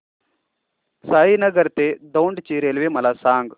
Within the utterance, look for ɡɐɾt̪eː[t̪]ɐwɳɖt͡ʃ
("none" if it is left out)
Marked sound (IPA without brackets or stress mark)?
d̪